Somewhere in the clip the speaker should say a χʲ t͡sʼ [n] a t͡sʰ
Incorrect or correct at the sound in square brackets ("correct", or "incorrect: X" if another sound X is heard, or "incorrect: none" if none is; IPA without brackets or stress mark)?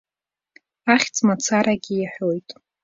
incorrect: m